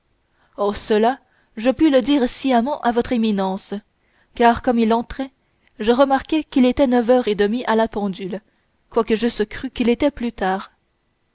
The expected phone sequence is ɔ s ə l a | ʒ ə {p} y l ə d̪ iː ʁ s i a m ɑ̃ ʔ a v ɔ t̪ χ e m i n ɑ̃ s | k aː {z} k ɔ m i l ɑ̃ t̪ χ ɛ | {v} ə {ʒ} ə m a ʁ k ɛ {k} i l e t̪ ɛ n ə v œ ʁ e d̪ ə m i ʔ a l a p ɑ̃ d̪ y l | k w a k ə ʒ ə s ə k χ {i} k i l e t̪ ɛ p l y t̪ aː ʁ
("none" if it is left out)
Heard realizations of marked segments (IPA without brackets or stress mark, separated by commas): p, ʁ, ʒ, ʁ, k, y